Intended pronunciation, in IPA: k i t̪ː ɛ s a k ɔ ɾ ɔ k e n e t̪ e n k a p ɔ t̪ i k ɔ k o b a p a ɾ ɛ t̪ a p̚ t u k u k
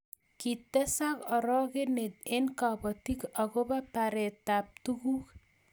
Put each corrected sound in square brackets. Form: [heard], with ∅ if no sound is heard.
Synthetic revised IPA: k i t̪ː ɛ s a k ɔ ɾ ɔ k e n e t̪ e n k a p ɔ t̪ i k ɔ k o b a p a ɾ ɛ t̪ a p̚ t u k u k